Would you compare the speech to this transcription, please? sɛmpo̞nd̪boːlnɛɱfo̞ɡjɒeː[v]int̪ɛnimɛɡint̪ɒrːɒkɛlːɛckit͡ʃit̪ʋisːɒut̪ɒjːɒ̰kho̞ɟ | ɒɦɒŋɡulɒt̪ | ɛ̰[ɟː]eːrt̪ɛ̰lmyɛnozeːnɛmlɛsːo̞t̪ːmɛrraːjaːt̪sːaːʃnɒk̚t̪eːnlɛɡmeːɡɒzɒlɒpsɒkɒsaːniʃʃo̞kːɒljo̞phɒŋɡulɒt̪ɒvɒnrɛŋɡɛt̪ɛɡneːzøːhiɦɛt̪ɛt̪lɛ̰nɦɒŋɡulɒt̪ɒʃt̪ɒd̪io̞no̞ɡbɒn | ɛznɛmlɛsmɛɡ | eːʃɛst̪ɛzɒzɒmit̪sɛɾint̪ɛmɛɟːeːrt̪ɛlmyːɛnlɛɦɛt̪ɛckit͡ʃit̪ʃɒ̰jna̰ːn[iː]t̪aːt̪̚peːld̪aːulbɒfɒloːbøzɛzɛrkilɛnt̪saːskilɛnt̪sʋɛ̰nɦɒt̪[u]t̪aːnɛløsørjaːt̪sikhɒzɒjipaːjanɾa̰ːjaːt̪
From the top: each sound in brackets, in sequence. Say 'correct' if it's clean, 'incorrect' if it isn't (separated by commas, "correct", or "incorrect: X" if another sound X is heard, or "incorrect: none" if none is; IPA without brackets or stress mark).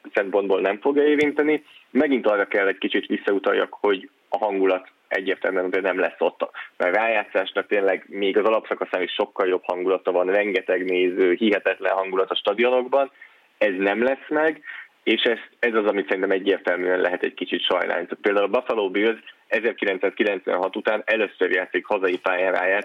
correct, correct, incorrect: i, correct